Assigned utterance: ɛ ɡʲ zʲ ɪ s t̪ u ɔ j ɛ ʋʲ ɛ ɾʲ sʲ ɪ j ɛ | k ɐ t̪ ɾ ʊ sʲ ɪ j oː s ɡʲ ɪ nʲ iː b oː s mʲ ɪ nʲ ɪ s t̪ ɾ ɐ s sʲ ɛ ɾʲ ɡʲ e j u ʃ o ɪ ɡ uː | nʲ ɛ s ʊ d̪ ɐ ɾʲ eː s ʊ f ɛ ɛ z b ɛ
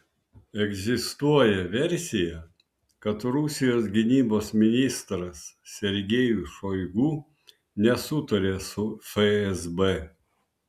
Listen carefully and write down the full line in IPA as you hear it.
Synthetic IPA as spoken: ɛ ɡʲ zʲ ɪ s t̪ u ɔ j ɛ ʋʲ ɛ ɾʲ sʲ ɪ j ɛ | k ɐ t̪ ɾ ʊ sʲ ɪ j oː s ɡʲ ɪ nʲ iː b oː s mʲ ɪ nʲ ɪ s t̪ ɾ ɐ s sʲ ɛ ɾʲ ɡʲ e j u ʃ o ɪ ɡ uː | nʲ ɛ s ʊ t̪ ɐ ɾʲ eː s ʊ f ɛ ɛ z b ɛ